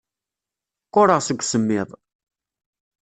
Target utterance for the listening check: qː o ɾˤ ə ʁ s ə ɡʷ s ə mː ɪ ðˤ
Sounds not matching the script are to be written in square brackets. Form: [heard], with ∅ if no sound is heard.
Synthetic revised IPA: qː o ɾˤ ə ʁ s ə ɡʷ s ə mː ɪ ðˤ